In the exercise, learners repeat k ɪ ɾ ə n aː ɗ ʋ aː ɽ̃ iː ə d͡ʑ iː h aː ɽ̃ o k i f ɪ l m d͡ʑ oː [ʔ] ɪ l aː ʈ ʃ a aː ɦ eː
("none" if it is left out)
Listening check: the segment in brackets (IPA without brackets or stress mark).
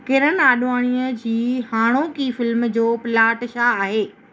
p